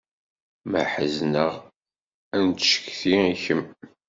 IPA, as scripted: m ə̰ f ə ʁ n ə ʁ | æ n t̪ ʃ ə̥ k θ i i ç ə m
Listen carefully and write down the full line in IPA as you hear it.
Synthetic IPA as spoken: m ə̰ ħ ə z n ə ʁ | æ n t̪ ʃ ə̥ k θ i i ç ə m